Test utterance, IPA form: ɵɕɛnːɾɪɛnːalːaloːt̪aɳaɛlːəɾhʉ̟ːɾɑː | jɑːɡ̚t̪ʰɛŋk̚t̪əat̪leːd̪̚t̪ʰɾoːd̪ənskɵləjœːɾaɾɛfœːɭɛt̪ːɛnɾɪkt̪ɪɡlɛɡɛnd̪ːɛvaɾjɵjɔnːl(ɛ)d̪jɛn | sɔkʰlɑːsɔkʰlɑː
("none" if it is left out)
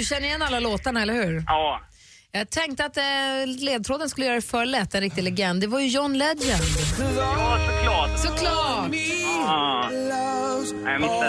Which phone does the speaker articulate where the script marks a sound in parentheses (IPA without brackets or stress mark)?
ɛ